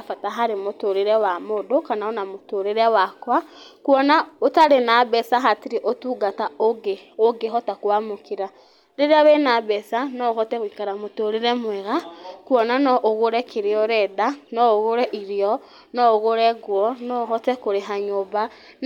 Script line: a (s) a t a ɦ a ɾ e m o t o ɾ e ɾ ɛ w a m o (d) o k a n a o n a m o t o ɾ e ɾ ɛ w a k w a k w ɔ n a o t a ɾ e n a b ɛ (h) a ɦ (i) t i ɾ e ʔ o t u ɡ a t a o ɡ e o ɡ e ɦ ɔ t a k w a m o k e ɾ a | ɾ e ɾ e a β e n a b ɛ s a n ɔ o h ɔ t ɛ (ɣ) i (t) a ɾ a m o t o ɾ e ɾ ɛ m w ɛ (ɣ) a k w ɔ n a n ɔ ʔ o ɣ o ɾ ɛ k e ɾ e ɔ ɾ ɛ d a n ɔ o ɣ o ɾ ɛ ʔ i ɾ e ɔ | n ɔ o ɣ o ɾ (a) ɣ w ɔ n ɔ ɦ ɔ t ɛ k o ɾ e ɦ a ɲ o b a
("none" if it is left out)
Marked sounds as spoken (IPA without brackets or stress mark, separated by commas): f, d, s, a, ɣ, k, ɣ, ɛ